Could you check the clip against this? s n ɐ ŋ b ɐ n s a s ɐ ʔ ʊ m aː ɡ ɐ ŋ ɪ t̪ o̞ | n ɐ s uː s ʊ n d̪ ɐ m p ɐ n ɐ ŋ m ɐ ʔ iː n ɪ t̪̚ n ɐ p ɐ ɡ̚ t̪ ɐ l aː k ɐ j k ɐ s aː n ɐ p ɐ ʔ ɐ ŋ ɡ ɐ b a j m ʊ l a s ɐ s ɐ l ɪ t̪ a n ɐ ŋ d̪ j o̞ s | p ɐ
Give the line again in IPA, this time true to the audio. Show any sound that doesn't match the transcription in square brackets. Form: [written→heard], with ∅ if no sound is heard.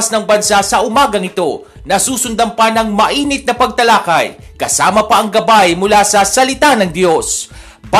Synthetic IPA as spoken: s n ɐ ŋ b ɐ n s a s ɐ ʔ ʊ m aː ɡ ɐ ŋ ɪ t̪ o̞ | n ɐ s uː s ʊ n d̪ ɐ m p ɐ n ɐ ŋ m ɐ ʔ iː n ɪ t̪̚ n ɐ p ɐ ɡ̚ t̪ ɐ l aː k ɐ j k ɐ s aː [n→m] ɐ p ɐ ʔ ɐ ŋ ɡ ɐ b a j m ʊ l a s ɐ s ɐ l ɪ t̪ a n ɐ ŋ d̪ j o̞ s | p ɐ